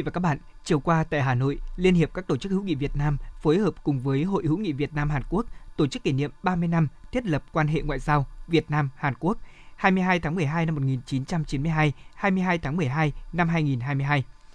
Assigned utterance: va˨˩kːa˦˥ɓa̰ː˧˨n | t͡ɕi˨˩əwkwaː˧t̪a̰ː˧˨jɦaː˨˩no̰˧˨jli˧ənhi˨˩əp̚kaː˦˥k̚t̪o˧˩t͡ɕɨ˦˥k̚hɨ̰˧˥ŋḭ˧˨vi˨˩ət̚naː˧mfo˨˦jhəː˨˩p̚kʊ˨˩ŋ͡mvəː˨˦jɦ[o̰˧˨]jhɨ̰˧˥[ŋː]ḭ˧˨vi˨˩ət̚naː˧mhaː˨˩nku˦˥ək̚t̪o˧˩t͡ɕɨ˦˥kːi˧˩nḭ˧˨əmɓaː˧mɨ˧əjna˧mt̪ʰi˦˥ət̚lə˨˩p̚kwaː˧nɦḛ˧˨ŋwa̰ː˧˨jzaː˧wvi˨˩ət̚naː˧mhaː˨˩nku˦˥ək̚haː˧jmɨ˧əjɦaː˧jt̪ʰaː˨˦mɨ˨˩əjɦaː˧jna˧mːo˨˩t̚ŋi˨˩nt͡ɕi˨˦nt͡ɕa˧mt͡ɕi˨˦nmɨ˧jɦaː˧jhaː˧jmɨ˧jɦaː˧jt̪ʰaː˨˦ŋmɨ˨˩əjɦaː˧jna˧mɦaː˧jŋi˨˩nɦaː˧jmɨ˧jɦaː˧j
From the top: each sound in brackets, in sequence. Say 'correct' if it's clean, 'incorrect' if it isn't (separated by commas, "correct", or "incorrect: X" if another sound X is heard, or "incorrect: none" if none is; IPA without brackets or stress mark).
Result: correct, incorrect: ŋ